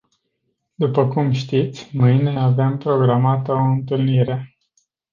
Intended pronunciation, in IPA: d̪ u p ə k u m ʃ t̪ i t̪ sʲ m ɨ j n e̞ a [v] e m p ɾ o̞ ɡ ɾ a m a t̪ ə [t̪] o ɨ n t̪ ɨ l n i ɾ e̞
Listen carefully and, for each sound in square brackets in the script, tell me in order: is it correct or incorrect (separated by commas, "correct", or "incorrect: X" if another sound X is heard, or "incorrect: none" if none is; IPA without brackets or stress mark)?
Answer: correct, incorrect: none